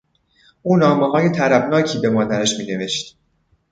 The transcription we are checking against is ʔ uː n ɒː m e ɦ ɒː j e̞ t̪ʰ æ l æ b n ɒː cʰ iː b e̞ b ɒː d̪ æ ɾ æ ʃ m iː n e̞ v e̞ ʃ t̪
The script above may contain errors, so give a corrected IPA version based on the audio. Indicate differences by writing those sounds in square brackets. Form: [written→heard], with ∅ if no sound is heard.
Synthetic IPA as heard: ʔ uː n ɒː m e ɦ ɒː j e̞ t̪ʰ æ [l→ɾ] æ b n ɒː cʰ iː b e̞ [b→m] ɒː d̪ æ ɾ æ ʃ m iː n e̞ v e̞ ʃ t̪